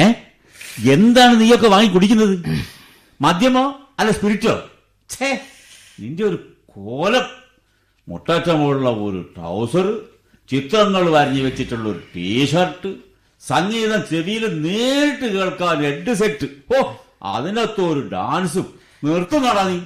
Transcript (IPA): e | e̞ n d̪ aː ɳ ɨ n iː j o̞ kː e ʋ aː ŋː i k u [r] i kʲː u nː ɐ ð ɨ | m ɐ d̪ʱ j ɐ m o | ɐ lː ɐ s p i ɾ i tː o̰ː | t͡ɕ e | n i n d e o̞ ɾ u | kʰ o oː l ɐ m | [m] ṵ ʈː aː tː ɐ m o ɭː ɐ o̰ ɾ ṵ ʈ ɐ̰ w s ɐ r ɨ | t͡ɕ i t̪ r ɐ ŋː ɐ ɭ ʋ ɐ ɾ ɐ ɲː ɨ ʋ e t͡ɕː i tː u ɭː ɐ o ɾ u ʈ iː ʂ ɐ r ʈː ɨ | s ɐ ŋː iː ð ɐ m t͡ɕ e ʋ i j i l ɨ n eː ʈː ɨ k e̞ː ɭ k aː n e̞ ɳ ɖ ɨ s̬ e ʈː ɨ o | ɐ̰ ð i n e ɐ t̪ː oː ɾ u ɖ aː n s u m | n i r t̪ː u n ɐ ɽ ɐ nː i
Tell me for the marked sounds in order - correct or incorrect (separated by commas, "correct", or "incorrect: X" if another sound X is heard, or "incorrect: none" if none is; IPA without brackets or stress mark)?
incorrect: ɽ, correct